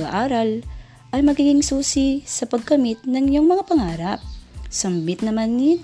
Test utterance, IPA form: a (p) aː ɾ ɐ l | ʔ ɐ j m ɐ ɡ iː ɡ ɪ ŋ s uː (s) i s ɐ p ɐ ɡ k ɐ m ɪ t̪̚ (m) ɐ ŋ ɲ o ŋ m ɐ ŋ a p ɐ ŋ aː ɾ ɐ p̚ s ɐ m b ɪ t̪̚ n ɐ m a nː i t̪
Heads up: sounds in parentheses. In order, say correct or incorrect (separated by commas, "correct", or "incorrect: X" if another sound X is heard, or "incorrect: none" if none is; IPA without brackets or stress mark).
incorrect: ʔ, correct, incorrect: n